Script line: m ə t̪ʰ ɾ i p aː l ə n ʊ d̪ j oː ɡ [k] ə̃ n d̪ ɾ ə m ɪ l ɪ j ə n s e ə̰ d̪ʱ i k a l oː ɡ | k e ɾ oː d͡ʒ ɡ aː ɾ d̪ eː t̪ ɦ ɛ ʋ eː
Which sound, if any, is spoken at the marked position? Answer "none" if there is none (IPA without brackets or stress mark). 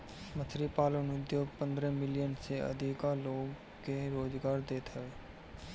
p